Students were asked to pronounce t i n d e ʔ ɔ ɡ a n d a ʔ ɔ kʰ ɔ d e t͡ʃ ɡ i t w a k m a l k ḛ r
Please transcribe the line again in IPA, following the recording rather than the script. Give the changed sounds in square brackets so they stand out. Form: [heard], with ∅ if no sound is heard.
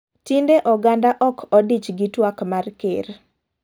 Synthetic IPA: t i n d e ʔ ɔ ɡ a n d a ʔ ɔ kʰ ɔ d [i] t͡ʃ ɡ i t w a k m a [r] k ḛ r